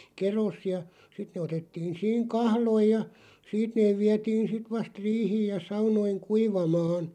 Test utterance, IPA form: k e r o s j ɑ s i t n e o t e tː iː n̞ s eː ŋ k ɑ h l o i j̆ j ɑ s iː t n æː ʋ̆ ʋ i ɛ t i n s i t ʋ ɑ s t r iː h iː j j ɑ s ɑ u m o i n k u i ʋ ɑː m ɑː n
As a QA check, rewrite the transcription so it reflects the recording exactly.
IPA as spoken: k e r o s j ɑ s i t n e o t e tː iː n̞ s iː ŋ k ɑ h l o i j̆ j ɑ s iː t n eː ʋ̆ ʋ i ɛ t iː n s i t ʋ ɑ s t r iː h iː j j ɑ s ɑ u n o i ŋ k u i ʋ ɑ m ɑː n